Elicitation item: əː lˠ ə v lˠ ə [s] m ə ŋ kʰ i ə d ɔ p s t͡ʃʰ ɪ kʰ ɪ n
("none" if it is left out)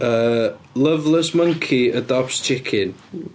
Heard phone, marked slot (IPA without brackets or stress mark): s